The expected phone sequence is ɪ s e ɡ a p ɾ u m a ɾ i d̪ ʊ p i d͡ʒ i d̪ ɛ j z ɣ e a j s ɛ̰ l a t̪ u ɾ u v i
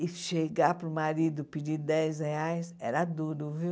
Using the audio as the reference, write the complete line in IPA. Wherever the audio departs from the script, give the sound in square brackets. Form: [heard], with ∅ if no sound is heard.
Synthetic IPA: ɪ [ʃ] e ɡ a p ɾ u m a ɾ i d̪ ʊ p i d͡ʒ i d̪ ɛ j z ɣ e a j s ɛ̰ [ɾ] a [d̪] u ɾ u v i